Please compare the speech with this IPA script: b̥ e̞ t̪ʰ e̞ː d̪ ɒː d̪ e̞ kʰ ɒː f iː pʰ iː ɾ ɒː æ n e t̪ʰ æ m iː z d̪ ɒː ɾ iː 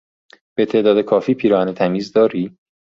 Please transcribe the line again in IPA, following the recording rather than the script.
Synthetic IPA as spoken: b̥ e̞ t̪ʰ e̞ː d̪ ɒː d̪ e̞ kʰ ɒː f iː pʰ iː ɾ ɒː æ n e t̪ʰ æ m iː z d̪ ɒː ɾ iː